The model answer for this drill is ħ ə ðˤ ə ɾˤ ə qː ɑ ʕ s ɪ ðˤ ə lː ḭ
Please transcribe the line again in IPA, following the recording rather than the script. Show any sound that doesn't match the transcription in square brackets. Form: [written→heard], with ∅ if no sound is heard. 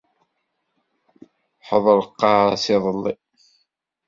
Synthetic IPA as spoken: ħ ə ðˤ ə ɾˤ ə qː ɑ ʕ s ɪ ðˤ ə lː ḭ